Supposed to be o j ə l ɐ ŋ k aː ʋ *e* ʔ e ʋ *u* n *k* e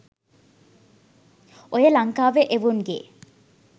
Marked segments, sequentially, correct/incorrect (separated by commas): correct, correct, incorrect